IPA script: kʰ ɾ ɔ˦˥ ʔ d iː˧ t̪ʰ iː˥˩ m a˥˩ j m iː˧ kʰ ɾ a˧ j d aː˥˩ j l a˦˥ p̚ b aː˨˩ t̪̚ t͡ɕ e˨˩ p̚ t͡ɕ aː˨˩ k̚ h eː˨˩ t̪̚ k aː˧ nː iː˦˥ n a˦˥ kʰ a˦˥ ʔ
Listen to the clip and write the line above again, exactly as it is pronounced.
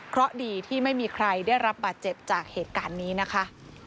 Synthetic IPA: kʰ ɾ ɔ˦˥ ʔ d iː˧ t̪ʰ iː˥˩ m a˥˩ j m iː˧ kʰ ɾ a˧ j d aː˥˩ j ɾ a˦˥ p̚ b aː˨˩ t̪̚ t͡ɕ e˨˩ p̚ t͡ɕ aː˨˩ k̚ h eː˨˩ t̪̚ k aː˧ nː iː˦˥ n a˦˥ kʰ a˦˥ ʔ